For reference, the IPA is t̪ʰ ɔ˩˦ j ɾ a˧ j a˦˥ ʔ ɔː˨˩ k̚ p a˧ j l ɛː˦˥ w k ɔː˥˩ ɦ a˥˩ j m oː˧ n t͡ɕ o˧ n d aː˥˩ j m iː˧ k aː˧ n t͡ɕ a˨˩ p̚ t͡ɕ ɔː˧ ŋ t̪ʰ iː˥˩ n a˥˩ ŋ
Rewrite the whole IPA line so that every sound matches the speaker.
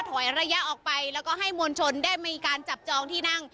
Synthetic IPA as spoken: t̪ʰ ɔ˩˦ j ɾ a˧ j a˦˥ ʔ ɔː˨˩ k̚ p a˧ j l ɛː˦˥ w k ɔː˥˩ ɦ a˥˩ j m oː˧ n t͡ɕʰ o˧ n d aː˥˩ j m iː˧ k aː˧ n t͡ɕ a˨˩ p̚ t͡ɕ ɔː˧ ŋ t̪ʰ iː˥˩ n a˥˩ ŋ